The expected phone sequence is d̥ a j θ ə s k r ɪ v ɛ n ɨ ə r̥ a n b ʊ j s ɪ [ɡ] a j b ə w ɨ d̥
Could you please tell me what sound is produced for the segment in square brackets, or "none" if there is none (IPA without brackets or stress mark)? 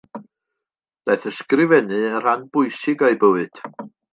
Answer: ɡ